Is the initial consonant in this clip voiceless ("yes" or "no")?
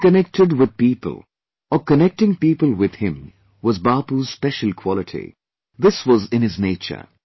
yes